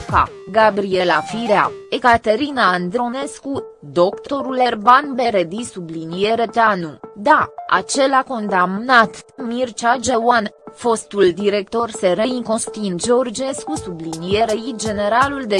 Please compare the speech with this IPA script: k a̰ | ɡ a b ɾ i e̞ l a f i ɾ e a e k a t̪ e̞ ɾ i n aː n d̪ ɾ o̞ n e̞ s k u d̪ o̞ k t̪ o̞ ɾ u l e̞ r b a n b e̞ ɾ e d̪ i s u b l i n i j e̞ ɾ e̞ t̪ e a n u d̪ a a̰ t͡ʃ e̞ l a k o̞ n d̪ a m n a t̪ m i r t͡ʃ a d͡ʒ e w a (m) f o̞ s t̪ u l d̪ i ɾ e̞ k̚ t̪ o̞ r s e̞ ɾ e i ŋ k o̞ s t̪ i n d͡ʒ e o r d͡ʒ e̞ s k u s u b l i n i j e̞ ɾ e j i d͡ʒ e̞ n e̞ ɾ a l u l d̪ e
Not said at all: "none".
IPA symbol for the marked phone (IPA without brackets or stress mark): n